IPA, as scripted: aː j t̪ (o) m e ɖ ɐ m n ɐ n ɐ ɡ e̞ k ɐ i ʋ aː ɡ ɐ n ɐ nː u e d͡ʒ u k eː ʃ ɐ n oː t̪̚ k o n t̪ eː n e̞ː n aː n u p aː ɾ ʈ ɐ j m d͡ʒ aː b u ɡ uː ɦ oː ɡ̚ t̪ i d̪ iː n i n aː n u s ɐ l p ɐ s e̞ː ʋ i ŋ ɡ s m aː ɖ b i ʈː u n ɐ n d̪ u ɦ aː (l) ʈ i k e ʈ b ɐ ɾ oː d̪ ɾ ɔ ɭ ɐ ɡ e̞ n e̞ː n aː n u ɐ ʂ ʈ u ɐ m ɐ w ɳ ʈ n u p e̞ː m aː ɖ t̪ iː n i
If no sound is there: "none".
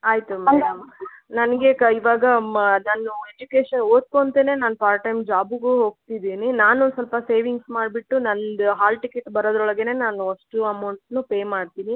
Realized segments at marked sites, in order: u, l

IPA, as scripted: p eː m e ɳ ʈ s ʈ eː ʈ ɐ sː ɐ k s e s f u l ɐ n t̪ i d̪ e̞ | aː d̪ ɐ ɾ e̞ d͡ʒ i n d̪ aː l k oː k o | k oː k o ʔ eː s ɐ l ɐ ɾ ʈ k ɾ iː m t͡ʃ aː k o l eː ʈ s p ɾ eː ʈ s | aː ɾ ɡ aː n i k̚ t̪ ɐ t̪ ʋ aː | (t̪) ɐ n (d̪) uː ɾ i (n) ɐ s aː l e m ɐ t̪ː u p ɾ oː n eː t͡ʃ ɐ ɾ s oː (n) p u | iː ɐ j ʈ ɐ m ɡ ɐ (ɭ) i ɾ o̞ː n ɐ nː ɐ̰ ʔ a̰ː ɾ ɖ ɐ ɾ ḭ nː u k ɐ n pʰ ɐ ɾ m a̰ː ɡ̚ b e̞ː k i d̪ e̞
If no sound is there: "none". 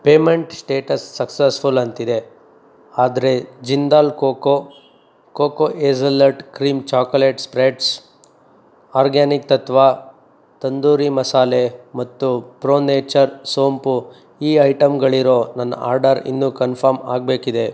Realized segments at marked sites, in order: t̪, d̪, m, m, ɭ

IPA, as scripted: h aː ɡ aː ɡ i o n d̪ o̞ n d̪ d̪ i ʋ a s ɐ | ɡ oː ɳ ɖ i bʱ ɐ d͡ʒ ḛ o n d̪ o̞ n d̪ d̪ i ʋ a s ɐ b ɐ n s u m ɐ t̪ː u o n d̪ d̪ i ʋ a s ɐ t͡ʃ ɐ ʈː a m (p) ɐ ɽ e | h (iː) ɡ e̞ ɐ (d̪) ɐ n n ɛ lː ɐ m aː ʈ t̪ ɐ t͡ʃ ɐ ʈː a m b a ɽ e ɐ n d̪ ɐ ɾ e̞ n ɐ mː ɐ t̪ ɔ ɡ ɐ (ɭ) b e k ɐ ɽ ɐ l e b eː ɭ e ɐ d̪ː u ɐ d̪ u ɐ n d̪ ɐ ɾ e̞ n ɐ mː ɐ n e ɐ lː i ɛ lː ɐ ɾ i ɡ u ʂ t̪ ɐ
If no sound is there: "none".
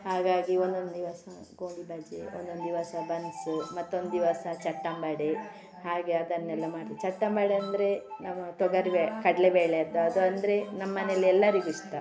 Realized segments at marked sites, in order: b, aː, d̪, ɾ

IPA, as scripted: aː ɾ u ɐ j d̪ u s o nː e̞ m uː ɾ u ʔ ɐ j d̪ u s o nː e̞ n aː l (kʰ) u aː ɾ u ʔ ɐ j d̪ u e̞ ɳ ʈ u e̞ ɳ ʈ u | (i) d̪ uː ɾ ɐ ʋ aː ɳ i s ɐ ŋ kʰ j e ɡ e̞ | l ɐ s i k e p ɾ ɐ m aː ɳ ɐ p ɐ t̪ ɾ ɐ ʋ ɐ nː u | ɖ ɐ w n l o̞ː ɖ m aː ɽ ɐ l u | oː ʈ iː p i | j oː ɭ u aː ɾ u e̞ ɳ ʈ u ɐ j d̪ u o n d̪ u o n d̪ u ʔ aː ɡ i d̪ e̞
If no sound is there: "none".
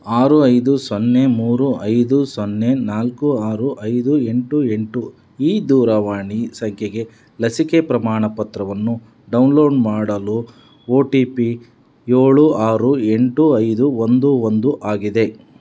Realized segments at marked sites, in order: k, iː

